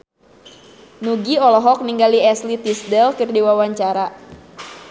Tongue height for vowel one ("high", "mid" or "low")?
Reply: high